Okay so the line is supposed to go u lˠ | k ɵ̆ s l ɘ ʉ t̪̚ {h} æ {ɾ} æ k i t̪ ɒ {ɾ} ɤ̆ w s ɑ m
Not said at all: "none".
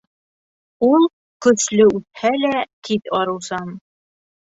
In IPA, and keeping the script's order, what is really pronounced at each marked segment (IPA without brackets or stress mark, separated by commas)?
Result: h, l, ɾ